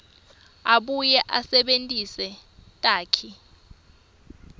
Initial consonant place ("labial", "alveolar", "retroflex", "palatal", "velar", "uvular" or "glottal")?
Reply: labial